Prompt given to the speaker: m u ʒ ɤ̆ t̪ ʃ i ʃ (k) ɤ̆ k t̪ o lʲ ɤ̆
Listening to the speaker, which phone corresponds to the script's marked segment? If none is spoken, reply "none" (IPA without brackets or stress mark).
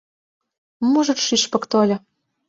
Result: p